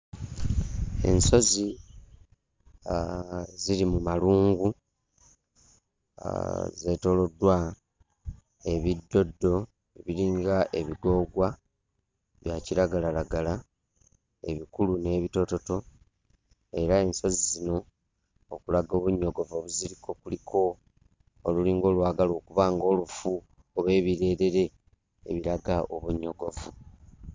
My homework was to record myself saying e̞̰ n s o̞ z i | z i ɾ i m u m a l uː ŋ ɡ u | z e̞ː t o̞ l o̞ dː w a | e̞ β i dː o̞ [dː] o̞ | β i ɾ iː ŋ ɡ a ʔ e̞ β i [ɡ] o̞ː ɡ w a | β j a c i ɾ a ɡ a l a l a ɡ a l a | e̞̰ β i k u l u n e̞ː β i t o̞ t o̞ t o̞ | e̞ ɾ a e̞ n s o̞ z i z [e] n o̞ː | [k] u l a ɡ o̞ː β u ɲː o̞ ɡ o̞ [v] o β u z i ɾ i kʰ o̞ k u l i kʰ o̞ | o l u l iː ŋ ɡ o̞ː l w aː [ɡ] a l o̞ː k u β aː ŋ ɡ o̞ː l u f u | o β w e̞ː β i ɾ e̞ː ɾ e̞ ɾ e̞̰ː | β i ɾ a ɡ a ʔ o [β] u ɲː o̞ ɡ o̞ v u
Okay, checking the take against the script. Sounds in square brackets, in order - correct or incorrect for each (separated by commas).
correct, correct, incorrect, correct, correct, correct, correct